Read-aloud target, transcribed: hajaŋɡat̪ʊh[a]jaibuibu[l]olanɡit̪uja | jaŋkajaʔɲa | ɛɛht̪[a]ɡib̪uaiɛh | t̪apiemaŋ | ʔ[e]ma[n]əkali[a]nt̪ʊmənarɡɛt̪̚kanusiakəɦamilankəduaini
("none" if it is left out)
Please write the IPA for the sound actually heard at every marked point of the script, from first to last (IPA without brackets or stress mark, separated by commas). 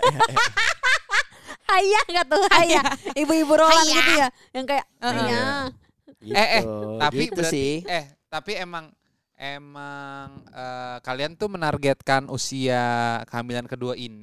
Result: a, ɾ, a, e, ŋ, a